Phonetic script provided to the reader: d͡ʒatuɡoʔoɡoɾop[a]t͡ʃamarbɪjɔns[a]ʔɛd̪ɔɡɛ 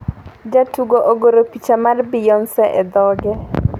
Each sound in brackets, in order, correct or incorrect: incorrect, incorrect

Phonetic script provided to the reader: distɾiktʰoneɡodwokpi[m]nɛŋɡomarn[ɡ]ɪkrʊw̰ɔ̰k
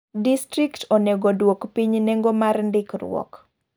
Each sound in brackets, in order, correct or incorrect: incorrect, incorrect

